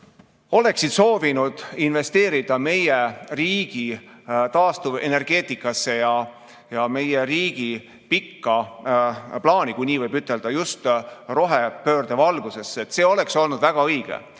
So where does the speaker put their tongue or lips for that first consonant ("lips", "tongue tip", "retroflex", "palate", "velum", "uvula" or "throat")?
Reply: tongue tip